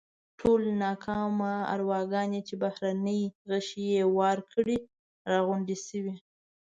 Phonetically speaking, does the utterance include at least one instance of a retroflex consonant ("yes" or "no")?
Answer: yes